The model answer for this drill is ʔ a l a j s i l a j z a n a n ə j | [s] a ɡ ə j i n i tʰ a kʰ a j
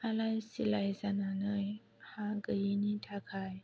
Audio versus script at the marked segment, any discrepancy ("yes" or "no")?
yes